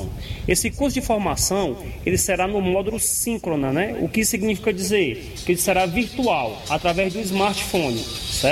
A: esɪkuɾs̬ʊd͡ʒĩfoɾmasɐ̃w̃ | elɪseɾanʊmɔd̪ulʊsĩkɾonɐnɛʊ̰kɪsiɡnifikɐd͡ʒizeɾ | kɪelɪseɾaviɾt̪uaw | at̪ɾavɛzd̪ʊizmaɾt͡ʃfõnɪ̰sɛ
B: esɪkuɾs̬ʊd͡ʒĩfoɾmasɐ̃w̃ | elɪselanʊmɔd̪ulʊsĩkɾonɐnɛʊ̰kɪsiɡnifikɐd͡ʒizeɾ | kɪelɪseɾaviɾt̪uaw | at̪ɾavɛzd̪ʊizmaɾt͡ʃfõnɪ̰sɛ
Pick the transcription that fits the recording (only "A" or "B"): A